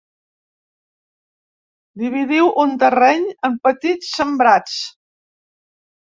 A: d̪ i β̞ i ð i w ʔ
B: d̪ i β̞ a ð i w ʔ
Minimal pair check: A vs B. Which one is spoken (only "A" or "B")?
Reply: A